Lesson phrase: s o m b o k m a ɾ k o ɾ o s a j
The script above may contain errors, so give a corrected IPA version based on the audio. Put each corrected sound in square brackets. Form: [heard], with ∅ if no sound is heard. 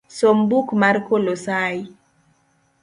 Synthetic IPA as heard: s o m b [u] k m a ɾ k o [l] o s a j